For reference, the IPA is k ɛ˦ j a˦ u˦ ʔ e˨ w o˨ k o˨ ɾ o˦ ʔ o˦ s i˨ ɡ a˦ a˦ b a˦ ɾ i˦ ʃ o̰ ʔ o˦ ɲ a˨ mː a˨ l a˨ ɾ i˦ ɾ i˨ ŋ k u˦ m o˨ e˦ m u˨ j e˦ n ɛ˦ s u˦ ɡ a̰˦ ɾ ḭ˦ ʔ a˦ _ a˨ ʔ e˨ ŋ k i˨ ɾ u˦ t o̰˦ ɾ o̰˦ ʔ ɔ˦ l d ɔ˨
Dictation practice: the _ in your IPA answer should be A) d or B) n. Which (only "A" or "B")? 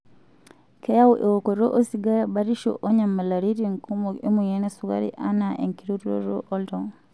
B